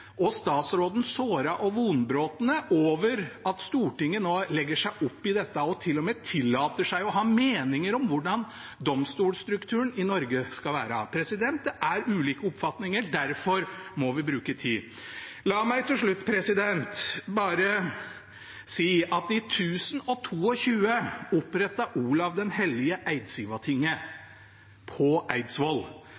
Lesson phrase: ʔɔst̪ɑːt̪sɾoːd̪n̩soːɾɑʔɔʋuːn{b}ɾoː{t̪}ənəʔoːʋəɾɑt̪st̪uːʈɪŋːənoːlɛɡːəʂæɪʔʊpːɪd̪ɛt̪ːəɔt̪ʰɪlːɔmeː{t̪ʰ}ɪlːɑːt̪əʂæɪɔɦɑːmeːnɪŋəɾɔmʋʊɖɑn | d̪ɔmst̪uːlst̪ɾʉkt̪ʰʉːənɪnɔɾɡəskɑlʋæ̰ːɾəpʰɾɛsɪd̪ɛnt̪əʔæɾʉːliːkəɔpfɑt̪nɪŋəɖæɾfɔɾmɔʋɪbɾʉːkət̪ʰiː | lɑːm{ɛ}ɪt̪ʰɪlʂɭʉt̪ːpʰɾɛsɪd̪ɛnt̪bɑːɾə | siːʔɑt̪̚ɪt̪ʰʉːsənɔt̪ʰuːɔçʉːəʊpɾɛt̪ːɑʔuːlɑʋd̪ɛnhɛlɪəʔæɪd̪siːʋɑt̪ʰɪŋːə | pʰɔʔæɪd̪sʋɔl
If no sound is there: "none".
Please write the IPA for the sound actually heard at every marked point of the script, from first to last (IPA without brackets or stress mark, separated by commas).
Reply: b, t̪, t̪ʰ, æ